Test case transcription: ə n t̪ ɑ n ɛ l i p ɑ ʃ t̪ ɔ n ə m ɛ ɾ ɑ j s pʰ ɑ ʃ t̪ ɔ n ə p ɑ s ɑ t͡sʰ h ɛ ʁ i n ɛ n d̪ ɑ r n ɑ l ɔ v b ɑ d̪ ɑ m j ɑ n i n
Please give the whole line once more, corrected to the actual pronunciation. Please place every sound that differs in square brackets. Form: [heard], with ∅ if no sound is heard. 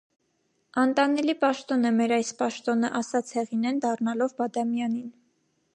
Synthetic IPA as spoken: [ɑ] n t̪ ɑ n ɛ l i p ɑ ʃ t̪ ɔ n ə m ɛ ɾ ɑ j s [p] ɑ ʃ t̪ ɔ n ə [ʔ] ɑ s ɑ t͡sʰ h ɛ ʁ i n ɛ n d̪ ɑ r n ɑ l ɔ v b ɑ d̪ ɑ m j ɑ n i n

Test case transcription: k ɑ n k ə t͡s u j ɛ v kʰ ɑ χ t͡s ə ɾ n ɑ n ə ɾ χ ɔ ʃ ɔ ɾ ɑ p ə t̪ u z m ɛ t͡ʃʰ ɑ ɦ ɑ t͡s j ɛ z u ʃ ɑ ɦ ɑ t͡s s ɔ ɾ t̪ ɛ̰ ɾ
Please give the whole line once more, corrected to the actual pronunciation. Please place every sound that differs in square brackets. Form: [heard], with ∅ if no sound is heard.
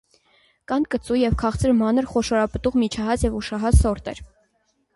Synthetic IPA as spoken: k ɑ n k ə t͡s u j ɛ v kʰ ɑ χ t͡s ə ɾ [m] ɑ n ə ɾ χ ɔ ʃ ɔ ɾ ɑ p ə t̪ u [ʁ] m [i] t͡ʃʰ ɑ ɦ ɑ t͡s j ɛ [v] u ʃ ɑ ɦ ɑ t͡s s ɔ ɾ t̪ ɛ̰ ɾ

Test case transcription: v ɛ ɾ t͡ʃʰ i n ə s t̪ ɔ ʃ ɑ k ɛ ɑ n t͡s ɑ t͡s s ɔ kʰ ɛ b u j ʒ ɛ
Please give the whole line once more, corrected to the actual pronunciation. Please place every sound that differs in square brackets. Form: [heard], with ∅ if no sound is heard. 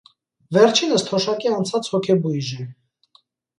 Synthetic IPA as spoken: v ɛ ɾ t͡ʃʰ i n ə s [t̪ʰ] ɔ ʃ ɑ k [i] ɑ n [t͡sʰ] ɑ t͡s [h] ɔ kʰ ɛ b u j ʒ ɛ

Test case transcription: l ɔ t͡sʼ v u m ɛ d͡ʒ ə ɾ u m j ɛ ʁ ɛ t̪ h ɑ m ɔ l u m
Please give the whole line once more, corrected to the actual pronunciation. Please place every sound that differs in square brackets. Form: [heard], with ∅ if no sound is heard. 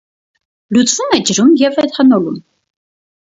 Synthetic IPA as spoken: l [u] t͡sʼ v u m ɛ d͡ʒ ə ɾ u m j ɛ [v] ɛ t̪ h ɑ [n] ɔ l u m

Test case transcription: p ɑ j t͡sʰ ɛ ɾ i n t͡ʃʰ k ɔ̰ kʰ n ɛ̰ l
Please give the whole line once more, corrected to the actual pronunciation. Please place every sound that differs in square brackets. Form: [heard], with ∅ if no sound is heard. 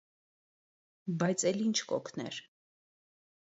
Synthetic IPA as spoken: [b] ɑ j t͡sʰ ɛ [l] i n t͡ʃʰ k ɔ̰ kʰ n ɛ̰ [ɾ]

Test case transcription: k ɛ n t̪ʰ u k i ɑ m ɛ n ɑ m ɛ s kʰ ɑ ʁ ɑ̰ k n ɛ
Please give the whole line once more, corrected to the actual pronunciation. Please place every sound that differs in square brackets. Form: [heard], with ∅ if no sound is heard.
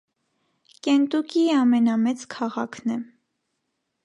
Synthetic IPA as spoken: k ɛ n [t̪] u k i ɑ m ɛ n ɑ m ɛ [t͡s] kʰ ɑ ʁ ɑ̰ [kʰ] n ɛ

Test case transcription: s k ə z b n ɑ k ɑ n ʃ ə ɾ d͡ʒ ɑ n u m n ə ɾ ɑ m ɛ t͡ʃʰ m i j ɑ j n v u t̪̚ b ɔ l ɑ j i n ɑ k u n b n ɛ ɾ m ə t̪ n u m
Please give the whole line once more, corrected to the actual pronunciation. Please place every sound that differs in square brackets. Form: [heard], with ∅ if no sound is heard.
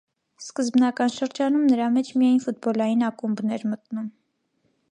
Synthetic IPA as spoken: s k ə z b n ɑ k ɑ n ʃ ə ɾ d͡ʒ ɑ n u m n ə ɾ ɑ m ɛ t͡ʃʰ m i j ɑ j n [f] u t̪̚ b ɔ l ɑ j i n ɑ k u [m] b n ɛ ɾ m ə t̪ n u m

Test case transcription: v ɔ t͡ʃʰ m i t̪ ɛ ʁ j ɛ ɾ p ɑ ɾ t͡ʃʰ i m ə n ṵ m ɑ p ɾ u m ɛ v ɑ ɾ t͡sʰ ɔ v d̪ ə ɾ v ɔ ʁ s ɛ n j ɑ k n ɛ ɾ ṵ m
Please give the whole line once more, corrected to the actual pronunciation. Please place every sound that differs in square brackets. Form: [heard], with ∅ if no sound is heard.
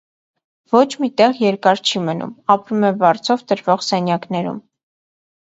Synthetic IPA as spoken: v ɔ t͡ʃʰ m i t̪ ɛ ʁ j ɛ ɾ [k] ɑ ɾ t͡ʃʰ i m ə n ṵ m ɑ p ɾ u m ɛ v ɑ ɾ t͡sʰ ɔ v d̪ ə ɾ v ɔ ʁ s ɛ n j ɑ k n ɛ ɾ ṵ m

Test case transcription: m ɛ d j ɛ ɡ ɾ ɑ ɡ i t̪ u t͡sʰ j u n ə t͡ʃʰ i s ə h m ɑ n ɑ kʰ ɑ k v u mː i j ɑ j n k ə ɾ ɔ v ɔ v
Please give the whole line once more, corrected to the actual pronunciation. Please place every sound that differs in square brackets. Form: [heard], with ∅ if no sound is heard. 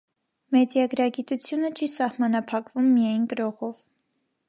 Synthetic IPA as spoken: m ɛ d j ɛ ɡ ɾ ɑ ɡ i t̪ u t͡sʰ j u n ə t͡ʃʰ i s [ɑ] h m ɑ n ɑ [pʰ] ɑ k v u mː i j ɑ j n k ə ɾ ɔ [ʁ] ɔ v

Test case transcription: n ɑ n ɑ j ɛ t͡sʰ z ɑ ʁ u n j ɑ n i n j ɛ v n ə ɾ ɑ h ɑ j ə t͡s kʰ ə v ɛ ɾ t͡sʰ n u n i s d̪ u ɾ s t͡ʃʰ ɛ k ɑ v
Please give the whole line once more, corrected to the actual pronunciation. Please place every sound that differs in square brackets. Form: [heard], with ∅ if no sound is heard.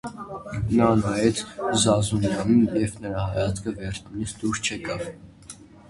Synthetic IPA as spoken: n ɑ n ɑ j ɛ t͡sʰ z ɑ [z] u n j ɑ n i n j ɛ v n ə ɾ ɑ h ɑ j [ɑ] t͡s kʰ ə v ɛ ɾ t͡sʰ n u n i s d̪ u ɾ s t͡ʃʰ ɛ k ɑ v

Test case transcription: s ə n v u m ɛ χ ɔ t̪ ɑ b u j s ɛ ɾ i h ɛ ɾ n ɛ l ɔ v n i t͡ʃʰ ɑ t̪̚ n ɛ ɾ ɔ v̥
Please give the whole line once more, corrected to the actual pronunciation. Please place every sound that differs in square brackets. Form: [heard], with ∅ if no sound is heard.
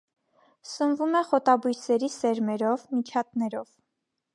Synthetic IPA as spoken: s ə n v u m ɛ χ ɔ t̪ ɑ b u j s ɛ ɾ i [s] ɛ ɾ [m] ɛ [ɾ] ɔ v [m] i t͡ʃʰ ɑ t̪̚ n ɛ ɾ ɔ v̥

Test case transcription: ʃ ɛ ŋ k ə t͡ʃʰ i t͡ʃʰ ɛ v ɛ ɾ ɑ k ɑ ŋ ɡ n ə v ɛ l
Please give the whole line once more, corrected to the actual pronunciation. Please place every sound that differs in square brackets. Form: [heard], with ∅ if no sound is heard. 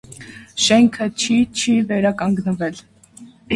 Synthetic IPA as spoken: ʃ ɛ ŋ [kʰ] ə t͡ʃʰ i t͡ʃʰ [i] v ɛ ɾ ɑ k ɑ ŋ ɡ n ə v ɛ l

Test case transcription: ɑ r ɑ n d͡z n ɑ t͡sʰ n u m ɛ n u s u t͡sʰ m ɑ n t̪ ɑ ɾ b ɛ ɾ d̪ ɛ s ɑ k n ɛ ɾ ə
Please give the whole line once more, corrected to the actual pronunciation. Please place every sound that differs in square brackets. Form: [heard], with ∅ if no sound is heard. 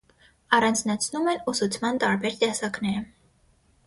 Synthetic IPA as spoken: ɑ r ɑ n d͡z n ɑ t͡sʰ n u m ɛ n u s u t͡sʰ m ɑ n t̪ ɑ ɾ b ɛ ɾ [t̪] ɛ s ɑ k n ɛ ɾ ə

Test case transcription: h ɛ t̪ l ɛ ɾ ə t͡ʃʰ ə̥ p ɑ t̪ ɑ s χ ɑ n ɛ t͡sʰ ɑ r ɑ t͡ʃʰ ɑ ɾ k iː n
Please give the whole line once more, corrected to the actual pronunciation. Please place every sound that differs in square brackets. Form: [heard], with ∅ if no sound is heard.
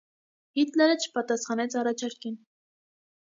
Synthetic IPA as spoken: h [i] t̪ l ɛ ɾ ə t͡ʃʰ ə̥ p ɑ t̪ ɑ s χ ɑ n ɛ t͡sʰ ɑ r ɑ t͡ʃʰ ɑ ɾ k [i] n

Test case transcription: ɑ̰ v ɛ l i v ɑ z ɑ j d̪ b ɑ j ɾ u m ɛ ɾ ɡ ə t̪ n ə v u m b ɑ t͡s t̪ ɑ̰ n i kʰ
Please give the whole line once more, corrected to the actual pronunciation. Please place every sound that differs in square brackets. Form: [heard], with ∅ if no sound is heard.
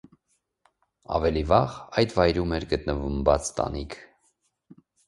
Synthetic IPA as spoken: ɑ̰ v ɛ l i v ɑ [ʁ] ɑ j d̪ [v] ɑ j ɾ u m ɛ ɾ ɡ ə t̪ n ə v u m b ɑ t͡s t̪ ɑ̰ n i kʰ

